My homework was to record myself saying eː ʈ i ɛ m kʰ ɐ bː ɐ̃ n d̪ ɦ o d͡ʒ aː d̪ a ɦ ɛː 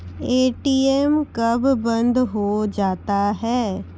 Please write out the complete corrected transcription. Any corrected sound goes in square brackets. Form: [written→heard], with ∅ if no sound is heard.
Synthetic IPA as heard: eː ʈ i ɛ m [kʰ→k] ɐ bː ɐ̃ n d̪ ɦ o d͡ʒ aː [d̪→t̪] a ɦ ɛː